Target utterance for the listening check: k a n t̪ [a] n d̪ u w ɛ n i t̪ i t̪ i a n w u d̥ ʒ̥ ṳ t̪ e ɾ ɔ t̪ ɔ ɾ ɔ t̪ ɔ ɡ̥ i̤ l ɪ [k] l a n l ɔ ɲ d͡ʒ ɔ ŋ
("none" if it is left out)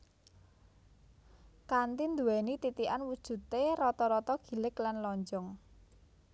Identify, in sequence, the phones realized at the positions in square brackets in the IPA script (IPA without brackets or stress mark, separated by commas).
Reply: i, k